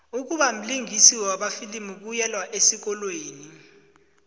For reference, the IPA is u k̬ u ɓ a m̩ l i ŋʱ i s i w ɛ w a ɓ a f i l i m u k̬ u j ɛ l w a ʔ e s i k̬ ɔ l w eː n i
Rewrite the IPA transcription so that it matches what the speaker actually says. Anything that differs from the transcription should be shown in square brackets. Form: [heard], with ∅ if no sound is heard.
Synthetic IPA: u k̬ u ɓ a m̩ l i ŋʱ i s i w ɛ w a ɓ a f i l i m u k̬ u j ɛ l w a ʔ e s i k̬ ɔ l w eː n i